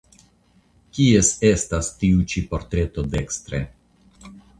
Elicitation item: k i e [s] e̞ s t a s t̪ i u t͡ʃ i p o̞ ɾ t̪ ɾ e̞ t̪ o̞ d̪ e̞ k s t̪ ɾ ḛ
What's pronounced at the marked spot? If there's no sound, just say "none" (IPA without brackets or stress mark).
s